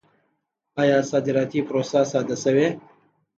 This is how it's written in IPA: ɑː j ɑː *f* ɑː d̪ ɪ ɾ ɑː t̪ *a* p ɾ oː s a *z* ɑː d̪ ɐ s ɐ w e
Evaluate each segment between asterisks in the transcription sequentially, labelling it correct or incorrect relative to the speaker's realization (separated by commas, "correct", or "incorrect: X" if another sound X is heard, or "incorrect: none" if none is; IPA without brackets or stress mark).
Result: incorrect: s, incorrect: i, incorrect: s